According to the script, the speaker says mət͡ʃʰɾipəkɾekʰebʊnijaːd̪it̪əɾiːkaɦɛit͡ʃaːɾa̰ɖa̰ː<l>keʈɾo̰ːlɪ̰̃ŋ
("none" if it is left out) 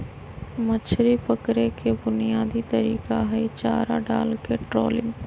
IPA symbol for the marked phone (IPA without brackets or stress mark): l